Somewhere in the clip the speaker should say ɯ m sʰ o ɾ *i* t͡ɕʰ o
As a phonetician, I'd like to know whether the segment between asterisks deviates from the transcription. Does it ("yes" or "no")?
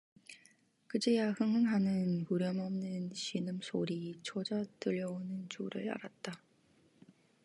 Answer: no